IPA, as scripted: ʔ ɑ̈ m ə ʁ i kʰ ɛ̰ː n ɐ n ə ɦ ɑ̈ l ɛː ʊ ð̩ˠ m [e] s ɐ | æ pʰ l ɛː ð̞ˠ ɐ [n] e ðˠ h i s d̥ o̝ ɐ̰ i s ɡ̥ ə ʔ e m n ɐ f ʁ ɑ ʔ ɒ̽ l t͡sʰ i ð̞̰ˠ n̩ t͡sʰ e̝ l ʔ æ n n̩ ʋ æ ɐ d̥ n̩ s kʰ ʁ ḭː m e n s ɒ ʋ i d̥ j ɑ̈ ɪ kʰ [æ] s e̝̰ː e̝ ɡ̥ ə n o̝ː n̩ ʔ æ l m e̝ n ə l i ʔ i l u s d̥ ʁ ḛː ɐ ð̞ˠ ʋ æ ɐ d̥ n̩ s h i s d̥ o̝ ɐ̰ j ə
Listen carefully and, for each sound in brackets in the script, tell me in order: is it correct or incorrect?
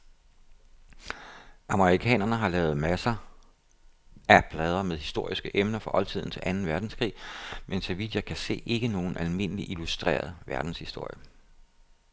incorrect: æ, incorrect: m, correct

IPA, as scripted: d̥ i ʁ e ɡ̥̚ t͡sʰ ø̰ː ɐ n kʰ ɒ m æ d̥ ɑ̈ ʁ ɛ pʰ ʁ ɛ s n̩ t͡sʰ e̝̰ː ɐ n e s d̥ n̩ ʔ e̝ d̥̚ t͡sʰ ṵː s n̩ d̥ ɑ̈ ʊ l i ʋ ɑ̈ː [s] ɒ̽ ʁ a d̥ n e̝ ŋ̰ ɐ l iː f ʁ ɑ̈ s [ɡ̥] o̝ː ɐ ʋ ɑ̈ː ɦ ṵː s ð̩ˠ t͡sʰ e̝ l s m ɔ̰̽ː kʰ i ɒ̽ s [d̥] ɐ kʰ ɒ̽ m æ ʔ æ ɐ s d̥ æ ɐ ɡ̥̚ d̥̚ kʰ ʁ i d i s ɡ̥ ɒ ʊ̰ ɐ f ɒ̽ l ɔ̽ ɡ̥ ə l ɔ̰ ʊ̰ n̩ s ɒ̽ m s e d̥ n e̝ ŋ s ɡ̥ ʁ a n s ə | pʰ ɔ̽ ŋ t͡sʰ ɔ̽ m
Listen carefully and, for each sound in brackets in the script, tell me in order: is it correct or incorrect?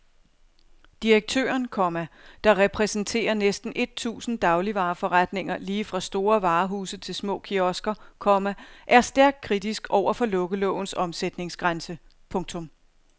incorrect: f, incorrect: d̥, incorrect: ɡ̥

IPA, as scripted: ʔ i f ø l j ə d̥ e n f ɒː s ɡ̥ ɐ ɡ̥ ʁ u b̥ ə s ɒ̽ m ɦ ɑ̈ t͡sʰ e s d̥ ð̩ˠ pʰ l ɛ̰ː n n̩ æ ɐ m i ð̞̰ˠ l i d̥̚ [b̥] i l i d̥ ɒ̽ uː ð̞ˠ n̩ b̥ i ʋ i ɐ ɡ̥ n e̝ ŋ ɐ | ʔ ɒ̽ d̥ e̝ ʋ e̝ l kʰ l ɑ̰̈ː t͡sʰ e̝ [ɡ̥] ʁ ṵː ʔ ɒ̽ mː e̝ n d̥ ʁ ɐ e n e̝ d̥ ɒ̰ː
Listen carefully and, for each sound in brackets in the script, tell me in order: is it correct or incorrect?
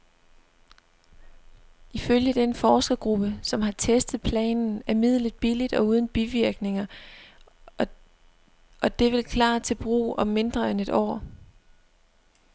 correct, incorrect: b̥

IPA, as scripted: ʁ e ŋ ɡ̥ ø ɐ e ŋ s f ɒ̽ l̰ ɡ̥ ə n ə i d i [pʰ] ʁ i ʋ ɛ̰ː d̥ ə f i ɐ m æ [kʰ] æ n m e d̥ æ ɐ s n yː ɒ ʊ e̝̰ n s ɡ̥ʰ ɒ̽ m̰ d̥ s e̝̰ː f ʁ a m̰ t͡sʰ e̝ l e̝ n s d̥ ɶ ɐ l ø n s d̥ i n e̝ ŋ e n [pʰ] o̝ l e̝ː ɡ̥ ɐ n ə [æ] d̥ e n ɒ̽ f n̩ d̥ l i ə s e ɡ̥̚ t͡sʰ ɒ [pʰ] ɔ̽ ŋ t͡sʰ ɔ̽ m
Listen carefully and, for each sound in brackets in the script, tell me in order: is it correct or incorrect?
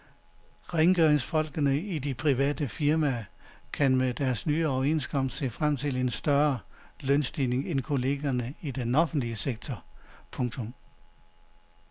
correct, correct, incorrect: kʰ, incorrect: i, correct

